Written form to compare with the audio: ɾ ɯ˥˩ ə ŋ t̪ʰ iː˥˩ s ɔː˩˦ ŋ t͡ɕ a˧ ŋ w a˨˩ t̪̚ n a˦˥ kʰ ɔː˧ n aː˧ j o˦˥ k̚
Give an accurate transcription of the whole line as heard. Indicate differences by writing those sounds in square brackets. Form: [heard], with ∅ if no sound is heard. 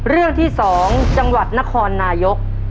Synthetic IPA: ɾ ɯ˥˩ ə ŋ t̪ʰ iː˥˩ s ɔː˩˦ ŋ t͡ɕ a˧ ŋ w a˨˩ t̪̚ n a˦˥ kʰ ɔː˧ [nː] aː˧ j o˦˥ k̚